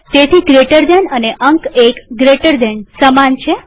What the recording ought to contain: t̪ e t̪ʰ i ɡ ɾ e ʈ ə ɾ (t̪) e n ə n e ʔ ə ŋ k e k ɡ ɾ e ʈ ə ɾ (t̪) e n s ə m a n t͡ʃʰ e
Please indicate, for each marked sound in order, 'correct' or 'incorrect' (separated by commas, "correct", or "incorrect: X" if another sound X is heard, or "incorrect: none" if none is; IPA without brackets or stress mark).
incorrect: d̪, incorrect: d̪